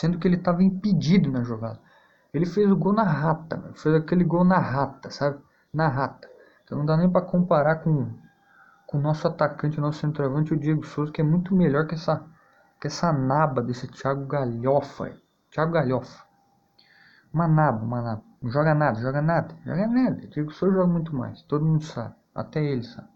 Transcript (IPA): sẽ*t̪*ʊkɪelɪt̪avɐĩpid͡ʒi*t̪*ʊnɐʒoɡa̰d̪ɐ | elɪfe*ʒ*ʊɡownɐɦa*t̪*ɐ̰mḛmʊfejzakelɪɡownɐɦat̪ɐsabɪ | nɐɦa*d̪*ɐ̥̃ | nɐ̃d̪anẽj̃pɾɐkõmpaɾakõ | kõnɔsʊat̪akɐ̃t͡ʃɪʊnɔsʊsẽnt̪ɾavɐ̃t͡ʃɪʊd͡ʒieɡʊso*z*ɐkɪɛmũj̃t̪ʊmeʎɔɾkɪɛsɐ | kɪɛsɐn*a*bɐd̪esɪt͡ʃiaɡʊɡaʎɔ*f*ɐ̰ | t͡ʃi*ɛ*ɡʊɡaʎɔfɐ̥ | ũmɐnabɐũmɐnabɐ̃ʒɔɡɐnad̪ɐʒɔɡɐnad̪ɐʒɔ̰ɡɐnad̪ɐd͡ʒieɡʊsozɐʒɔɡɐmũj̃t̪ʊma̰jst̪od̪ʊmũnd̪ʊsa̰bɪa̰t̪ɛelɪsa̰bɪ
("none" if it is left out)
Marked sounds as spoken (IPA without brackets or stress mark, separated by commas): d̪, d̪, z, t̪, t̪, z, a, f, a